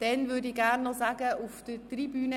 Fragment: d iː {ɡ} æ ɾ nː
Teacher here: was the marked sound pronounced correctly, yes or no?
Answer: yes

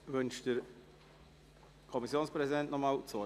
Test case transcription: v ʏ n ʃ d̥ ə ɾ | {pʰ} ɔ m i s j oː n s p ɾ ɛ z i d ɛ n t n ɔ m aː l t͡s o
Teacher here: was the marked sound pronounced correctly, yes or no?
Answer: no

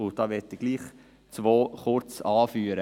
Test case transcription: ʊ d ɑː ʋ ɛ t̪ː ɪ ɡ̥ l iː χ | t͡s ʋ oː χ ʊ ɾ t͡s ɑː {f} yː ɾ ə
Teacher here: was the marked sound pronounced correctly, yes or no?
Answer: yes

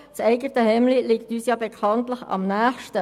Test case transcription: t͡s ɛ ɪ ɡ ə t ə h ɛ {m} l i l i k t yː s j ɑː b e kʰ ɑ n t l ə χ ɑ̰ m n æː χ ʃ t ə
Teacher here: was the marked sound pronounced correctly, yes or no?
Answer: yes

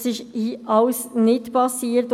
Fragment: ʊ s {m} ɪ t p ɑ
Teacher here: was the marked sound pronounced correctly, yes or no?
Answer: no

